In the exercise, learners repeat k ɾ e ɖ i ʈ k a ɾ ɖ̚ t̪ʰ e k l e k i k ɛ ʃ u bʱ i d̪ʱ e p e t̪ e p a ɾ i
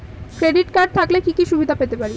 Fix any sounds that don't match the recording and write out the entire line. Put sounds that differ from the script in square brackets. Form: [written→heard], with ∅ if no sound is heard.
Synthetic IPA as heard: k ɾ e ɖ i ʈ k a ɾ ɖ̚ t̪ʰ [e→a] k l e k i k [ɛ→i] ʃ u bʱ i d̪ʱ [e→a] p e t̪ e p a ɾ i